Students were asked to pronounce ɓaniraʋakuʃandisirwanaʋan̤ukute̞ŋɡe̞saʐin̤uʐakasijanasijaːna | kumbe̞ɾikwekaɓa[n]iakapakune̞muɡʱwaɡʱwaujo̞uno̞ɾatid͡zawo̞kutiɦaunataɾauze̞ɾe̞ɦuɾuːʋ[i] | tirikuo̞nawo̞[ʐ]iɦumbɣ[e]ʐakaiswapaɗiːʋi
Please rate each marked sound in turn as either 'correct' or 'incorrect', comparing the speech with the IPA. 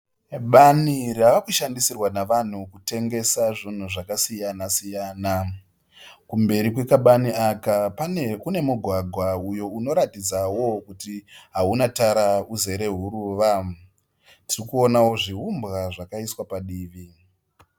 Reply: correct, incorrect: a, correct, incorrect: a

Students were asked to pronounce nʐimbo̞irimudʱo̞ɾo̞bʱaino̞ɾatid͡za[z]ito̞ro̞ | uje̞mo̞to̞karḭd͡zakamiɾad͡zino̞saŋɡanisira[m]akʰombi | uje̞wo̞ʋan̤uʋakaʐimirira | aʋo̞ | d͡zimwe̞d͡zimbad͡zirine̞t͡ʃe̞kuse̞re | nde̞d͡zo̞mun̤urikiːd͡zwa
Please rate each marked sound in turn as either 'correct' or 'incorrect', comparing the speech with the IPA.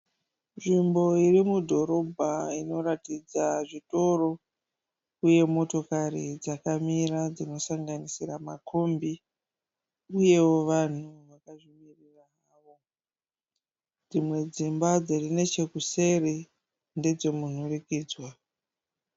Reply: incorrect: ʐ, correct

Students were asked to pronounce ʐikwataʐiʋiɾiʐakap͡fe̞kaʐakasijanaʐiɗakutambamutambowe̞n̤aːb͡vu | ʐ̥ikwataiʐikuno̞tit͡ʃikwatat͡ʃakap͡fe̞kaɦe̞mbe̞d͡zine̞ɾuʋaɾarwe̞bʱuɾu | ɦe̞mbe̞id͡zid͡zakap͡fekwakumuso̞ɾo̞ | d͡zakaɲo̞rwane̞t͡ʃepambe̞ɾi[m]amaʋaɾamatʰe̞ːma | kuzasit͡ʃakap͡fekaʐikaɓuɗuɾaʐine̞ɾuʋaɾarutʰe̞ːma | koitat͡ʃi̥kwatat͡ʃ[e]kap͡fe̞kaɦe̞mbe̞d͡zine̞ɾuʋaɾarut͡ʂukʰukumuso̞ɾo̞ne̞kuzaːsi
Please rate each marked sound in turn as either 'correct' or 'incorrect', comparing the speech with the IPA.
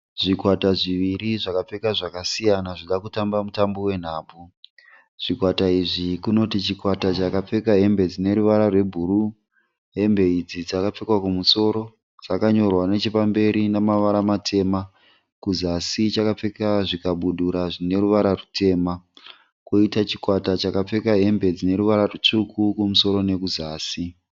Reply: incorrect: n, incorrect: a

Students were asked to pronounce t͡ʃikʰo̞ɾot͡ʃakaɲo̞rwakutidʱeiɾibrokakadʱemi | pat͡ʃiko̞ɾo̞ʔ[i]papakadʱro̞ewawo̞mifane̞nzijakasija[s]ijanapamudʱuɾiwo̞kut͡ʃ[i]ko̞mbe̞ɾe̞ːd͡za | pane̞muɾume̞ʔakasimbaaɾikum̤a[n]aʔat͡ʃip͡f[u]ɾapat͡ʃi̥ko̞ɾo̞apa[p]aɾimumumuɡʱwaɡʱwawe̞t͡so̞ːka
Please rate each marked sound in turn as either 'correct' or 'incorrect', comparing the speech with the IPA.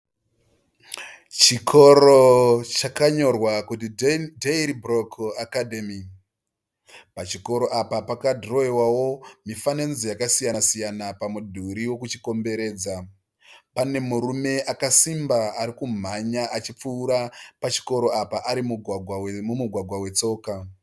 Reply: incorrect: a, correct, correct, incorrect: ɲ, incorrect: uː, incorrect: ʔ

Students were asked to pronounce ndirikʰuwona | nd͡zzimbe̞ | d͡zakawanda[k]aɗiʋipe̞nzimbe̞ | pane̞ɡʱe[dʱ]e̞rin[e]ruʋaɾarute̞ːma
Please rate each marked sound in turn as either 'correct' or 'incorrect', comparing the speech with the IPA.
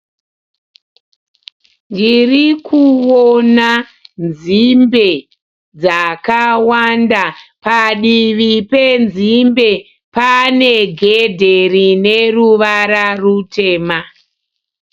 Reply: incorrect: p, correct, correct

